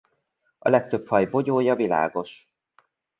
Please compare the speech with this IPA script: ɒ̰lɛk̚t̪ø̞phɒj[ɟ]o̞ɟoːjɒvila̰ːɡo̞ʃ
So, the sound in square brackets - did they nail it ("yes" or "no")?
no